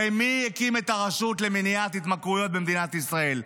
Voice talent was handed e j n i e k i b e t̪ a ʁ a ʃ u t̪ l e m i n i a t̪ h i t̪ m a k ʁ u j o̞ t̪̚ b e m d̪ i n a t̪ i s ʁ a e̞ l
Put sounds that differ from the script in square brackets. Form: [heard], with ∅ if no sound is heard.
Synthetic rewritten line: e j [m] i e k i [m] e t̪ a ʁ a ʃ u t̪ l e m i n i a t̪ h i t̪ m a k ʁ u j o̞ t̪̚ b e m d̪ i n a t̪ i s ʁ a e̞ l